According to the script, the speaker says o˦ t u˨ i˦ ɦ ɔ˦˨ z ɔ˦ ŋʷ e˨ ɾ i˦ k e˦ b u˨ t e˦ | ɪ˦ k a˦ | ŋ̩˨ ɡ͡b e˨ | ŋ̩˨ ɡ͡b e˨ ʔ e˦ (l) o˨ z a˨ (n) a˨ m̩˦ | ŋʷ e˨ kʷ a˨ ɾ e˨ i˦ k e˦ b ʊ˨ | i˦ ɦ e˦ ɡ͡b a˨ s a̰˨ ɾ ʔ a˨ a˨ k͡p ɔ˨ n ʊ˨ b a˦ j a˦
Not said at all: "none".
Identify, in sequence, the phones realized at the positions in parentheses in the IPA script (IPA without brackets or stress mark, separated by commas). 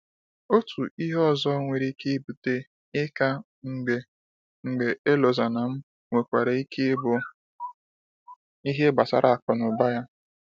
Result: l, n